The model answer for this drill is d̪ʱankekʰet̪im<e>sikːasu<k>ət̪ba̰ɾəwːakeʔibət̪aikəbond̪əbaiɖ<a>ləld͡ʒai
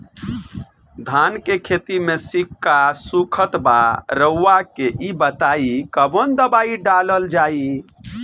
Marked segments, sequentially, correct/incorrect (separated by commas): correct, incorrect, correct